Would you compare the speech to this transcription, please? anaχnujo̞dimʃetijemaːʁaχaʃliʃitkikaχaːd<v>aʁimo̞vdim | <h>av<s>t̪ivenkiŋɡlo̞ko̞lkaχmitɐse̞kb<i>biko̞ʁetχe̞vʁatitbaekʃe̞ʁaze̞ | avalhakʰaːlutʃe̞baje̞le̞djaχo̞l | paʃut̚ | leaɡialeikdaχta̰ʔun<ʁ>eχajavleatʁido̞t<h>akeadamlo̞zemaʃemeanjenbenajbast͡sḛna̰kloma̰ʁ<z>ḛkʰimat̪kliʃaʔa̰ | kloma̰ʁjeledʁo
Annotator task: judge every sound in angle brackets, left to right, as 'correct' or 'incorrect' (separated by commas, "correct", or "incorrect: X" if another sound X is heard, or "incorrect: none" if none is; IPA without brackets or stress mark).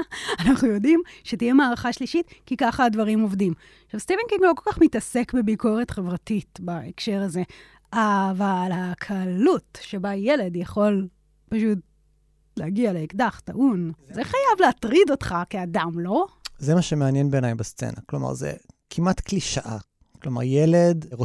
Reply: correct, incorrect: ʃ, correct, incorrect: e, incorrect: z, incorrect: χ, correct